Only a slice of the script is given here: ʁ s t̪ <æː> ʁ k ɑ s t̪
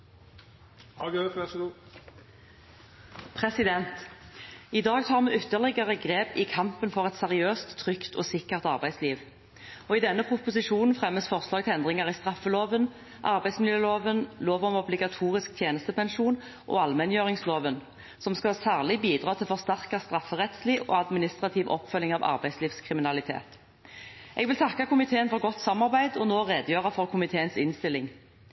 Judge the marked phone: incorrect: æ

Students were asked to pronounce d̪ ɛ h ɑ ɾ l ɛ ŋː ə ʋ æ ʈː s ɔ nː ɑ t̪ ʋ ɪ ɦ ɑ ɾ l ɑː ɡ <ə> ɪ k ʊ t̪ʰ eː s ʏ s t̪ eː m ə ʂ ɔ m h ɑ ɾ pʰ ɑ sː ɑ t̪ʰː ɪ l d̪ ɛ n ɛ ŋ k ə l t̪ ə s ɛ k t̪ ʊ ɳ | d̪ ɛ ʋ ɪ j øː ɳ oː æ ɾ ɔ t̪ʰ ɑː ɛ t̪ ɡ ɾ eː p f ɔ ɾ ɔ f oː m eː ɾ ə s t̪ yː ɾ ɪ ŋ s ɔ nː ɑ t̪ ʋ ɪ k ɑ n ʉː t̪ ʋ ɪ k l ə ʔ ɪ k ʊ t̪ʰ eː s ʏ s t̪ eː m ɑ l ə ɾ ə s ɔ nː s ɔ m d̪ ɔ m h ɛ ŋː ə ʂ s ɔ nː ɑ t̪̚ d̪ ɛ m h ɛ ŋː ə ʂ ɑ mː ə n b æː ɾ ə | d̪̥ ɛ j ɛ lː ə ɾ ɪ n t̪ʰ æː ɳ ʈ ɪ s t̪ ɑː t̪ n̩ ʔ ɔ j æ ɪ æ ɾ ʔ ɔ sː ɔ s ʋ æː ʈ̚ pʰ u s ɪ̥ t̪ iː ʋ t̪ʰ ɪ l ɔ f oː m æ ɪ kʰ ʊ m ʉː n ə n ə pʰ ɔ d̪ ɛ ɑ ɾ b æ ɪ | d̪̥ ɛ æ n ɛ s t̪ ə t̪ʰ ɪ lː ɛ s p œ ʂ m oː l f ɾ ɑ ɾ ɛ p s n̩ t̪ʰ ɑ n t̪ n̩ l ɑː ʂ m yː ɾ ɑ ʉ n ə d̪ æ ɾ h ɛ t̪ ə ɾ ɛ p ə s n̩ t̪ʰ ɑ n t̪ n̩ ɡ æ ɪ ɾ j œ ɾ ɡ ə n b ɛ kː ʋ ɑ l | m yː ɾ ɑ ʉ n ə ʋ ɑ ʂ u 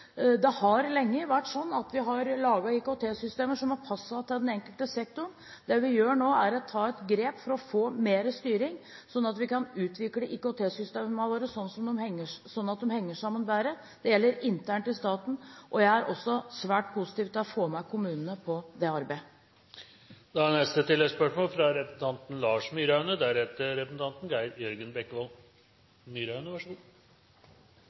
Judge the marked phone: incorrect: ɑ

